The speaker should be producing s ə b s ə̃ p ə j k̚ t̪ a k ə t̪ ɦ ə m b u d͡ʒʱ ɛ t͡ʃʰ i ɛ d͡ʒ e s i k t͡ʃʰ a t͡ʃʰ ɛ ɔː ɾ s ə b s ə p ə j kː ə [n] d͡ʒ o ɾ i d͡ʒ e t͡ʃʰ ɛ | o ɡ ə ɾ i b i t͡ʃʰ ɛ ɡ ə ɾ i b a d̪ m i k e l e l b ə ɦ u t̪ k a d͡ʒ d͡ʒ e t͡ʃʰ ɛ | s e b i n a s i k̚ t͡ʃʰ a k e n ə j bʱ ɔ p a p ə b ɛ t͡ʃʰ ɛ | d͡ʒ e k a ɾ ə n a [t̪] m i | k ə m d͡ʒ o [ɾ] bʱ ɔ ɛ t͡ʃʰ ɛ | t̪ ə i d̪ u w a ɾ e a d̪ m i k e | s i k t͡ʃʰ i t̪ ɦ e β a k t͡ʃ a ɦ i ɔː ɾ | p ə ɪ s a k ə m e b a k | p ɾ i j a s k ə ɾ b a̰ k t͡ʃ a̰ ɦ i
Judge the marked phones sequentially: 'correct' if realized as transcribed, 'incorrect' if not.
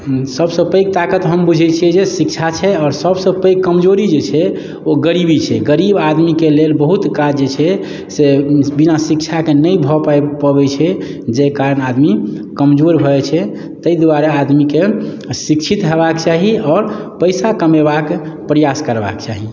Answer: incorrect: m, incorrect: d̪, correct

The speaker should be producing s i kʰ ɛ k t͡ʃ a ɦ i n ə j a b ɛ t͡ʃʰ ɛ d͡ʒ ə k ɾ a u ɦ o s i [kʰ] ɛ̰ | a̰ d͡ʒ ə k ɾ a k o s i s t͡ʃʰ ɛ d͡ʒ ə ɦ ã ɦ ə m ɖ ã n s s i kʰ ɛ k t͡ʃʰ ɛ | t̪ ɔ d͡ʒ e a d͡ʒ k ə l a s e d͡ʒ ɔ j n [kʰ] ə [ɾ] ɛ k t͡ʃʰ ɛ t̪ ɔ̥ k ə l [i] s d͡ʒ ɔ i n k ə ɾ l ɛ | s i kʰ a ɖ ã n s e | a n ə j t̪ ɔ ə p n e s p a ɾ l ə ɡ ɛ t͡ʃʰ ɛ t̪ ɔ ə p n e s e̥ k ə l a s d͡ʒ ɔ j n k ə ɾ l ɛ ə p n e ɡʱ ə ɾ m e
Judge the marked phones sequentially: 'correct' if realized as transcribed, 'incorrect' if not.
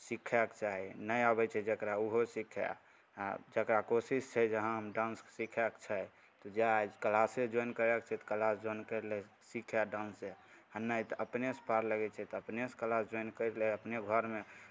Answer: correct, incorrect: k, correct, incorrect: a

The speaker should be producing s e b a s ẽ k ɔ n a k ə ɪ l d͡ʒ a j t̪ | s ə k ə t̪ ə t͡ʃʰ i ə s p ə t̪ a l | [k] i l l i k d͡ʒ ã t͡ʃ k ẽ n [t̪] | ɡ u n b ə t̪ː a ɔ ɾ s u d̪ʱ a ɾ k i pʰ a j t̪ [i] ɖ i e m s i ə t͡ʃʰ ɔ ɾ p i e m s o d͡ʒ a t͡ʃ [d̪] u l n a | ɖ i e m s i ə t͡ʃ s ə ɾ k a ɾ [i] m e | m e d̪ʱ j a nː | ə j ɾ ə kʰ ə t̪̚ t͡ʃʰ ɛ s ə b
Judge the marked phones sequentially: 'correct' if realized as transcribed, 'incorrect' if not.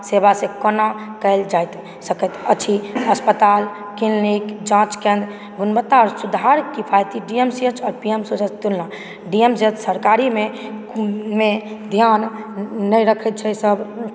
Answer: correct, incorrect: d̪, correct, incorrect: t̪, correct

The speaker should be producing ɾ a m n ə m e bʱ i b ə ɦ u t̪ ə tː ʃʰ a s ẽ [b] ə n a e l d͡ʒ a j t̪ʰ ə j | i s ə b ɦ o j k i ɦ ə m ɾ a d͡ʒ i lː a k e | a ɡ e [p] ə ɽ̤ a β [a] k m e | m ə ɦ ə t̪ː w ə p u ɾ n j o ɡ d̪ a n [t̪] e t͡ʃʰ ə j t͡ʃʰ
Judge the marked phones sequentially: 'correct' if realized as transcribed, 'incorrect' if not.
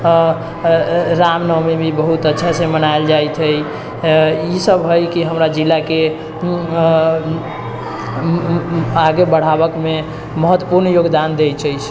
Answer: incorrect: m, incorrect: b, incorrect: ə, incorrect: d̪

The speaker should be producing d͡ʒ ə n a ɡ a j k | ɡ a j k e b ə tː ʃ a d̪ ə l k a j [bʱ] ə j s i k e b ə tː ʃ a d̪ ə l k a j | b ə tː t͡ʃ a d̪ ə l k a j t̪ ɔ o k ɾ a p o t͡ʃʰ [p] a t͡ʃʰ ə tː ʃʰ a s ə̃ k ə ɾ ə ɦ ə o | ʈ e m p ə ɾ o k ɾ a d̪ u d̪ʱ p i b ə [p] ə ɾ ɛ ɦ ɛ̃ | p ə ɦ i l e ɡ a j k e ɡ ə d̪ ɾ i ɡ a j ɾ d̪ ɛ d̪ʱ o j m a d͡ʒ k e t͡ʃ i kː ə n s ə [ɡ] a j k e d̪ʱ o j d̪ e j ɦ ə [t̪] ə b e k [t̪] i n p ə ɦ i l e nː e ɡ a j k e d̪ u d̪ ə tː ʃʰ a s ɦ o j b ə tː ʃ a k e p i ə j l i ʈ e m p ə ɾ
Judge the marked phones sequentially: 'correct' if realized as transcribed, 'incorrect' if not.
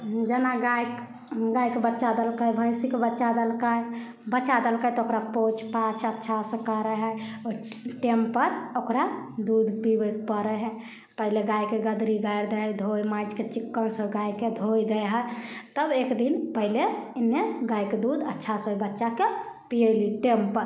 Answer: correct, correct, correct, correct, correct, incorrect: d̪

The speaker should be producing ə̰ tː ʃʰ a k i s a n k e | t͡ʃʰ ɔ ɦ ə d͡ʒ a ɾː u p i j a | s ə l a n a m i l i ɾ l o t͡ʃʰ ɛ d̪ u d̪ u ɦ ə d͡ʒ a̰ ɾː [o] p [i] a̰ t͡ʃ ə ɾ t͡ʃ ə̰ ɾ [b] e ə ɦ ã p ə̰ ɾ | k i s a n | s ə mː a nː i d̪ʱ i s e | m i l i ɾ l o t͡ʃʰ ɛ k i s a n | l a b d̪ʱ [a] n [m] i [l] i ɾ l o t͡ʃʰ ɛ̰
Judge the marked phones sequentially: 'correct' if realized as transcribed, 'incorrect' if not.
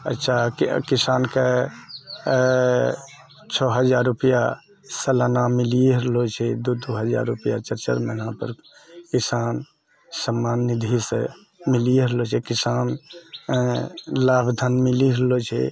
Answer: incorrect: u, incorrect: j, incorrect: m, incorrect: ə, correct, correct

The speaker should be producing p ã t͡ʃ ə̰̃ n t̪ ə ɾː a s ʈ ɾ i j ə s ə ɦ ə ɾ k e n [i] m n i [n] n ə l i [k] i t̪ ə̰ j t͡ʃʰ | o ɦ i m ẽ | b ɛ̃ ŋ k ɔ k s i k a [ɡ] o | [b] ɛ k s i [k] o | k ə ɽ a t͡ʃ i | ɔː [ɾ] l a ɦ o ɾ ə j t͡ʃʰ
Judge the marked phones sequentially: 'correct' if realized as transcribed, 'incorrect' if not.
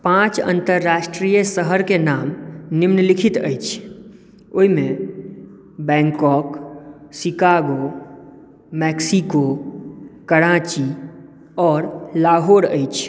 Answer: incorrect: a, incorrect: m, incorrect: kʰ, correct, incorrect: m, correct, correct

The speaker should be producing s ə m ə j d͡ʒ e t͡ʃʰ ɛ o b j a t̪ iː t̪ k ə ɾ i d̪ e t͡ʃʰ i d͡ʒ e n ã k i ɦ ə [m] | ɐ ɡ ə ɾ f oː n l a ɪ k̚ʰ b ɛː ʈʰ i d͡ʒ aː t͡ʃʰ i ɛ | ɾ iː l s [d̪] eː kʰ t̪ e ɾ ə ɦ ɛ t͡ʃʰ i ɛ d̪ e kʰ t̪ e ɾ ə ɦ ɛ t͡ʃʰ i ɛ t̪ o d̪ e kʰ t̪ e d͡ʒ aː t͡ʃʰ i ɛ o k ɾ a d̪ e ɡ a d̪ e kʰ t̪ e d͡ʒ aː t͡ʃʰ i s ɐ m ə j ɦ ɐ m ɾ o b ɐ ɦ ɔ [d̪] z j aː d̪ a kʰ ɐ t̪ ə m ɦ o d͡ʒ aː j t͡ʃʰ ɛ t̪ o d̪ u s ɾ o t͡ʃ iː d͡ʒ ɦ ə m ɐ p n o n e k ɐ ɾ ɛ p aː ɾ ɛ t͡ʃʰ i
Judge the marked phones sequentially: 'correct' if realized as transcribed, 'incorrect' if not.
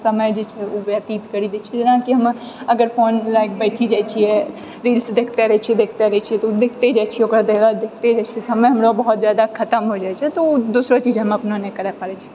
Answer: correct, correct, incorrect: t̪

